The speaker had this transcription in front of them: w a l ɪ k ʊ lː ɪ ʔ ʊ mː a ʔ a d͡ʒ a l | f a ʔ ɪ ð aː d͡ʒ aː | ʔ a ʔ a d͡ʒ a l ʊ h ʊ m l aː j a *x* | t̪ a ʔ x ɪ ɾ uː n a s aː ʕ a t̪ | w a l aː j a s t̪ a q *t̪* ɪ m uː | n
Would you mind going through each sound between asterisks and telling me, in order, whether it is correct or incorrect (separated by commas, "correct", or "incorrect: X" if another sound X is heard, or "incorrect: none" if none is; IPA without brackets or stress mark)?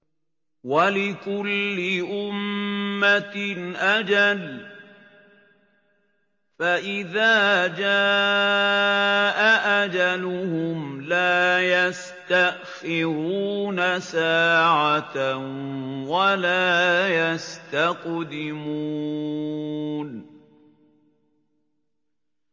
incorrect: s, incorrect: d̪